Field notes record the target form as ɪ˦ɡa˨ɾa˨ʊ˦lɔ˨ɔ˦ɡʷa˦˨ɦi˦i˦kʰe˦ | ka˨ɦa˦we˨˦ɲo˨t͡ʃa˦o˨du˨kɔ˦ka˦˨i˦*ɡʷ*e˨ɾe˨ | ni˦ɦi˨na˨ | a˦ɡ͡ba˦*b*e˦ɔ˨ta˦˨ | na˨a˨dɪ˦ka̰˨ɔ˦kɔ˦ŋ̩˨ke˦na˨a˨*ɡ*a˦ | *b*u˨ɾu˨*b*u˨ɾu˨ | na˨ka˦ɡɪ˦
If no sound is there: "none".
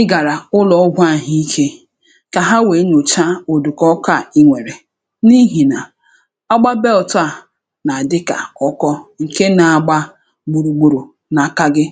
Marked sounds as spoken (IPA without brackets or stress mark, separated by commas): ŋʷ, b, ɡ͡b, ɡ͡b, ɡ͡b